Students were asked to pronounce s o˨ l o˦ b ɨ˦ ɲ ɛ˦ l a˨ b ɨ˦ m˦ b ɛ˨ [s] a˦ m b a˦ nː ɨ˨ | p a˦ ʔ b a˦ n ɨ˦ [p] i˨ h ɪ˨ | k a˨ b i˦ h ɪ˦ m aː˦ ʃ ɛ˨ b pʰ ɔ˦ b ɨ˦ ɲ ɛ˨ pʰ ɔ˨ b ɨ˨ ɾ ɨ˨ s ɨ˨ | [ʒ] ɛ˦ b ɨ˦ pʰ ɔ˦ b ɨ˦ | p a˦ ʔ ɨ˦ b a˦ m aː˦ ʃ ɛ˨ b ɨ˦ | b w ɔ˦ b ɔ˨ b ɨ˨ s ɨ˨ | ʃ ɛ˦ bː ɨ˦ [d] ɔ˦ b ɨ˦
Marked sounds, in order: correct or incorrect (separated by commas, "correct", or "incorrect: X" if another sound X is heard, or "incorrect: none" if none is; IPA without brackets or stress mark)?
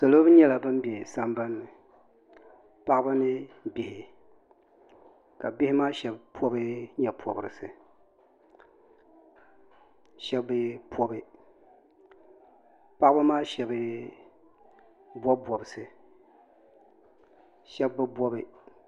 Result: correct, incorrect: b, incorrect: ʃ, incorrect: b